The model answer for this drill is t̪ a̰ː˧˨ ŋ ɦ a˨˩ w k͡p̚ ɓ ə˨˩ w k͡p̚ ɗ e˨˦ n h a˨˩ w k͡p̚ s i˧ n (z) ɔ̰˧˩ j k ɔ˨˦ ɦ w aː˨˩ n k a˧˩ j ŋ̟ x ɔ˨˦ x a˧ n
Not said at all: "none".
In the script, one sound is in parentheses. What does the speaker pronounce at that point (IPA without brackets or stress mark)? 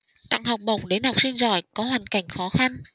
z